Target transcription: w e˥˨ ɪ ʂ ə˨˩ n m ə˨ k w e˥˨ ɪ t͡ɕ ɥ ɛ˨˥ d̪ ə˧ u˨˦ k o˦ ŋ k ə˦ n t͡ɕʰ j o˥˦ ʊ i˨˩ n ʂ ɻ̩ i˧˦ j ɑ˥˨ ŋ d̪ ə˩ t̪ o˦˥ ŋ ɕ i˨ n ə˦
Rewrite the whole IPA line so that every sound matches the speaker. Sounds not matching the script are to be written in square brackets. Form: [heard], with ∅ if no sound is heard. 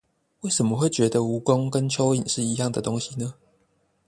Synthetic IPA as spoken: w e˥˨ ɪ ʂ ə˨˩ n m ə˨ [x] w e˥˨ ɪ t͡ɕ ɥ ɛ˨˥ d̪ ə˧ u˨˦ k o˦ ŋ k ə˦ n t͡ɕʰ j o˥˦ ʊ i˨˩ n ʂ ɻ̩ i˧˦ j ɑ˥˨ ŋ d̪ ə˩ t̪ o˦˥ ŋ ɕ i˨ n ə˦